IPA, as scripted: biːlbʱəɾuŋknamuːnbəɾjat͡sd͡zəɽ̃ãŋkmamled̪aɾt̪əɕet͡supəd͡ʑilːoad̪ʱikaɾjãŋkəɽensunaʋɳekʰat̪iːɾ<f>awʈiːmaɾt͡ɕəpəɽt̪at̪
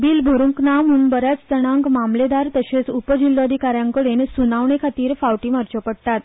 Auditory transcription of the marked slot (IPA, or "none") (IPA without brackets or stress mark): f